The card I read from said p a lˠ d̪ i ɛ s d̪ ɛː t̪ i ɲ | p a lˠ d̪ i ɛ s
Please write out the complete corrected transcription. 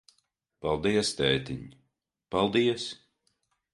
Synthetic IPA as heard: p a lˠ d̪ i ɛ s t̪ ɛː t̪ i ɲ | p a lˠ d̪ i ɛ s